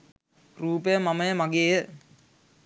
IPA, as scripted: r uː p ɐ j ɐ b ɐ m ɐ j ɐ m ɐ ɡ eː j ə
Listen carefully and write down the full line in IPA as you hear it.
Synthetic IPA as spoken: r uː p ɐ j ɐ m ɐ m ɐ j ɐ m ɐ ɡ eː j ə